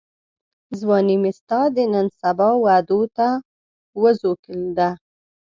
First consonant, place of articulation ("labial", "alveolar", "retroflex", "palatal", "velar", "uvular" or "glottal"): alveolar